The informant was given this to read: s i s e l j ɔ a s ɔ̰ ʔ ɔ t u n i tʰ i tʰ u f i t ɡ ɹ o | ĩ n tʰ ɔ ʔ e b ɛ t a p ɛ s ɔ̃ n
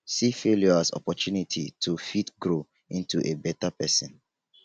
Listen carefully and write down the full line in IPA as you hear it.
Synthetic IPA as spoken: s i f e l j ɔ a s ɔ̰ p ɔ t u n i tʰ i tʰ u f i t ɡ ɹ o | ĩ n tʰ u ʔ e b ɛ t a p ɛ s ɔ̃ n

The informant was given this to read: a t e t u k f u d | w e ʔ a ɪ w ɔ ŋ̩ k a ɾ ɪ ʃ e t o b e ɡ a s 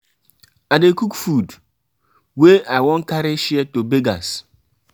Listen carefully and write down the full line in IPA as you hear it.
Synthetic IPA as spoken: a d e k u k f u d | w e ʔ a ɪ w ɔ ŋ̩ k a ɾ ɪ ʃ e t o b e ɡ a s

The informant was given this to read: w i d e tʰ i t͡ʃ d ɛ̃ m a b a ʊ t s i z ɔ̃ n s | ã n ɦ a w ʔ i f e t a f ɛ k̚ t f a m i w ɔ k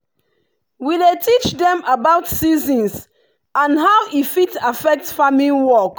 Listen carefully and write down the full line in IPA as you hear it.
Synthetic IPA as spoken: w i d e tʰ i t͡ʃ d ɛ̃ m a b a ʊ t s i z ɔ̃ n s | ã n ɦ a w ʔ i f i t a f ɛ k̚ t f a m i w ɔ k

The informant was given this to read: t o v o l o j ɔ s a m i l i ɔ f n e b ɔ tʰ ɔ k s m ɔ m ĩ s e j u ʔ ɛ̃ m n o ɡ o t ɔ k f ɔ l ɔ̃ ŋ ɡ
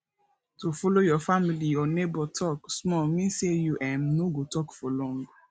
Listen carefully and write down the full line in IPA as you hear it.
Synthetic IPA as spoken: t o f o l o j ɔ f a m i l i ɔ n e b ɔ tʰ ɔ k s m ɔ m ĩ s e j u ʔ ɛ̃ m n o ɡ o t ɔ k f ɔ l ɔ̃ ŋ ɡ

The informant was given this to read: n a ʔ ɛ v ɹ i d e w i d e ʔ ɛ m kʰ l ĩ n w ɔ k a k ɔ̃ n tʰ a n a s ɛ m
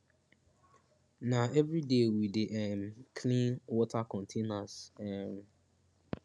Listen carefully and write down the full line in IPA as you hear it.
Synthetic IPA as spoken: n a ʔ ɛ v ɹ i d e w i d e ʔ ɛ m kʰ l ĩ n w ɔ t a k ɔ̃ n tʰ e n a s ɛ m

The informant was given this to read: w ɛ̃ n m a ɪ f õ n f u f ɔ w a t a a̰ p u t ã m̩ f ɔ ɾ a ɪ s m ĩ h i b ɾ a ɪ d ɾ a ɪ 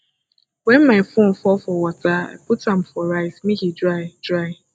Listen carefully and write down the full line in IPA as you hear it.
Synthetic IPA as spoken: w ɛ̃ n m a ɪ f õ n f ɔ f ɔ w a t a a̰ p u t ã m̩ f ɔ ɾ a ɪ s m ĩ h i d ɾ a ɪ d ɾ a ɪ

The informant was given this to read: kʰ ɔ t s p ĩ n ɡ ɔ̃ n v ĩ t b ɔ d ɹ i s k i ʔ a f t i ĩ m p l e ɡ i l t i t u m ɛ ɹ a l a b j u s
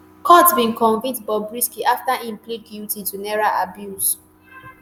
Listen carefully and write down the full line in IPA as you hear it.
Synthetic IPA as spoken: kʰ ɔ t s b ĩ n k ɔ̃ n v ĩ t b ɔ b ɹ i s k i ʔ a f t a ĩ m p l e ɡ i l t i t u n ɛ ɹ a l a b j u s

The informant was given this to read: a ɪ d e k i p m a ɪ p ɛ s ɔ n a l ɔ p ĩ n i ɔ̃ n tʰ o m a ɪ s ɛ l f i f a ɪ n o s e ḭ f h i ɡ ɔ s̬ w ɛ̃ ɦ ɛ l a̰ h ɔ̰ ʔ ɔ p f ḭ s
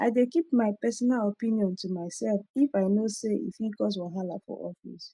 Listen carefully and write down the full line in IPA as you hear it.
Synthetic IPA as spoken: a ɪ d e k i p m a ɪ p ɛ s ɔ n a l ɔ p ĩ n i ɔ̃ n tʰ u m a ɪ s ɛ l f i f a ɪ n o s e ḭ f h i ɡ ɔ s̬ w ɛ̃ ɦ a l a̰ f ɔ̰ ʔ ɔ f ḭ s

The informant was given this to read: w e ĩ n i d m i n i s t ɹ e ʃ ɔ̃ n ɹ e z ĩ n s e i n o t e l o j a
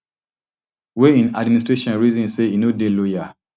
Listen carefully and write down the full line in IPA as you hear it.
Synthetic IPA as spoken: w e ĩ n a d m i n i s t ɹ e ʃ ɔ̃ n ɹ i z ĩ n s e i n o d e l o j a

